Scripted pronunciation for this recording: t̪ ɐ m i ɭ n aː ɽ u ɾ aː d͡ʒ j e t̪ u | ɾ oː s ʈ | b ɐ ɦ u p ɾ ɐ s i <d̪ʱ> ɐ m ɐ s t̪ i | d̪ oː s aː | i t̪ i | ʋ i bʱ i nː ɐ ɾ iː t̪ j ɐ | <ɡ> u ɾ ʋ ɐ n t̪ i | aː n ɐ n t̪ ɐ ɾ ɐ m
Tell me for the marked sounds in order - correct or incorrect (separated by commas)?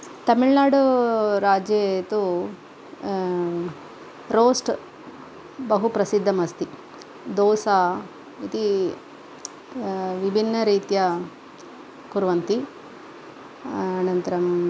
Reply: incorrect, incorrect